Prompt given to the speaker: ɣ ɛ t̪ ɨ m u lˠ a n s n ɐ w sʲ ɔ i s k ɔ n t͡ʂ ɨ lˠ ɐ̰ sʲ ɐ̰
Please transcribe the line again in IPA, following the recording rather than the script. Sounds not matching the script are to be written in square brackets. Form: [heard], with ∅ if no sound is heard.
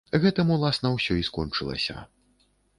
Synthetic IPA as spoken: ɣ ɛ t̪ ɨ m u lˠ a [∅] s n ɐ w sʲ ɔ i s k ɔ n t͡ʂ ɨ lˠ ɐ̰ sʲ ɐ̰